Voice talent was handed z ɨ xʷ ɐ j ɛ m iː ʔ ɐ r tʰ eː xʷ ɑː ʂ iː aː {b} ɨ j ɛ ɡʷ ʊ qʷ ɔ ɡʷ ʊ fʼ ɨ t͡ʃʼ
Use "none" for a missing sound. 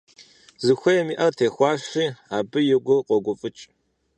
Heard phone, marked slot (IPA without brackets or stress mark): b